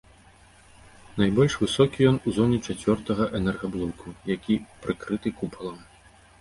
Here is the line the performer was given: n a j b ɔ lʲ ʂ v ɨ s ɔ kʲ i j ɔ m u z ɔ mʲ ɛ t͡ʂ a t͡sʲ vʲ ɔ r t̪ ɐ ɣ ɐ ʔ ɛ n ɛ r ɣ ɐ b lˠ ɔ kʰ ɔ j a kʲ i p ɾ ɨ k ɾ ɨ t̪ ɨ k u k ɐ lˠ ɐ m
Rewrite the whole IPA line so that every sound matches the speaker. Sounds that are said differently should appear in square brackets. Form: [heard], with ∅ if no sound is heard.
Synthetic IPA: n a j b ɔ lʲ ʂ v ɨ s ɔ kʲ i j ɔ [n] u z ɔ [nʲ] ɛ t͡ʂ a t͡sʲ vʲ ɔ r t̪ ɐ ɣ ɐ ʔ ɛ n ɛ r ɣ ɐ b lˠ ɔ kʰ [u] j a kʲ i p ɾ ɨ k ɾ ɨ t̪ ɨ k u [p] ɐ lˠ ɐ m